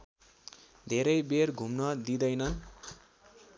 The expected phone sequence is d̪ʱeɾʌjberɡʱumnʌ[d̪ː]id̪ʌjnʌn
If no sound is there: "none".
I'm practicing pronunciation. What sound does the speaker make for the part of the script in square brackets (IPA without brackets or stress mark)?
d̪